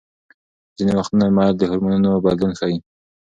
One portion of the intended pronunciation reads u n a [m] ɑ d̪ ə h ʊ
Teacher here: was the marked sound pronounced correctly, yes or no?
yes